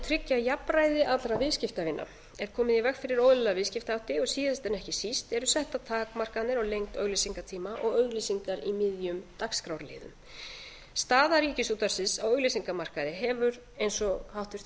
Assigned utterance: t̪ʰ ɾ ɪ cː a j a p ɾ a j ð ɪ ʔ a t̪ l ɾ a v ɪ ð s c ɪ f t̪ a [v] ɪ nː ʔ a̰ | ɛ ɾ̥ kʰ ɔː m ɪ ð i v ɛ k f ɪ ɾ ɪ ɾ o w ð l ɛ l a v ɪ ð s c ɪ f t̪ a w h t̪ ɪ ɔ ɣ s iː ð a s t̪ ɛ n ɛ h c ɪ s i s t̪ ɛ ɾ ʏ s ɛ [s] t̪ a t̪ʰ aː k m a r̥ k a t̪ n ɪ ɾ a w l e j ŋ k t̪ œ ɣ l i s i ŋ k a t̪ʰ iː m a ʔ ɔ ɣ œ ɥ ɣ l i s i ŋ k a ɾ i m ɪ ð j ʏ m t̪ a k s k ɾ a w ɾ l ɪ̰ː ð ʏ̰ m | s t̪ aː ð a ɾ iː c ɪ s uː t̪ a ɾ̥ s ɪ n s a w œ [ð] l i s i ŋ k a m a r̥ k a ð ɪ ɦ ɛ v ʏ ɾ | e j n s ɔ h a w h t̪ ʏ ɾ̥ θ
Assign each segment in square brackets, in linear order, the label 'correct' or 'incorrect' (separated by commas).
correct, incorrect, incorrect